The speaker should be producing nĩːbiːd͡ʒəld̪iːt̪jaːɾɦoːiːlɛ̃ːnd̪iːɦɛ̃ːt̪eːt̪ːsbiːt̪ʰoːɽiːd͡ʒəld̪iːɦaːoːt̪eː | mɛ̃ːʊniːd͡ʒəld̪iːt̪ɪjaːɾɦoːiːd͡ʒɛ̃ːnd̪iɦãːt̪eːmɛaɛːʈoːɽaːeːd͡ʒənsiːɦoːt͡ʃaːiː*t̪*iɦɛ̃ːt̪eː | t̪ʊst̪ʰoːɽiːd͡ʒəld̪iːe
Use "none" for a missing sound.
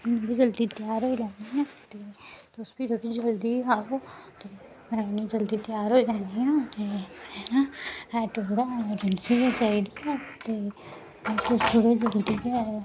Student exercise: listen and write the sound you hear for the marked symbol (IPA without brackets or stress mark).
d̪